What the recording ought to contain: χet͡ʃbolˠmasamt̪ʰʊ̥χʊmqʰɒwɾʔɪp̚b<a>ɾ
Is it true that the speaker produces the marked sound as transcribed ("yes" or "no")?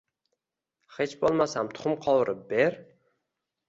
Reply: no